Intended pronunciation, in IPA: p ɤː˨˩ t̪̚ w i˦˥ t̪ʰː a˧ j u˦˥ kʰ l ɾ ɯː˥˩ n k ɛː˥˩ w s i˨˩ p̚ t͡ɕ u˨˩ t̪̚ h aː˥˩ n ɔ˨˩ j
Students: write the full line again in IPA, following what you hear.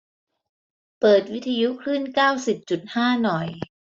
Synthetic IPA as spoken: p ɤː˨˩ t̪̚ w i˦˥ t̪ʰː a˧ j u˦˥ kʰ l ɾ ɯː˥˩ n k aː˥˩ w s i˨˩ p̚ t͡ɕ u˨˩ t̪̚ h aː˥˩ n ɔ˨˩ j